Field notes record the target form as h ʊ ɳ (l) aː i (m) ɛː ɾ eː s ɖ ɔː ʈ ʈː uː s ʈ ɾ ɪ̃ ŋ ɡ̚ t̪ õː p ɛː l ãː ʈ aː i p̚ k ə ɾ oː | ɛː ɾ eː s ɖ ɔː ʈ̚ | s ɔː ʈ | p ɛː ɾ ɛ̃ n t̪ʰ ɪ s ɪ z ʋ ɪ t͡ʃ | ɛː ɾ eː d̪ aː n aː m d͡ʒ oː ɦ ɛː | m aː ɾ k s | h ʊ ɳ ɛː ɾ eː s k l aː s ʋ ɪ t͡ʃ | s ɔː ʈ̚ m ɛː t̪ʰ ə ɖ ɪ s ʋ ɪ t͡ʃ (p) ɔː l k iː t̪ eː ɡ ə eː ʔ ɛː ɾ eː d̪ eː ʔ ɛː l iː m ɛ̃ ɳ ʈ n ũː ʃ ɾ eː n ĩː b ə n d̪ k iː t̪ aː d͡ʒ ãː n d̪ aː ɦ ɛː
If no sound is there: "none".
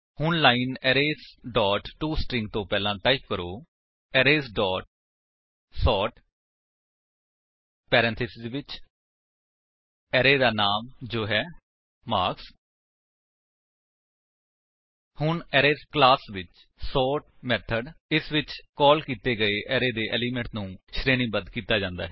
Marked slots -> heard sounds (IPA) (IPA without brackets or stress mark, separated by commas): l, n, k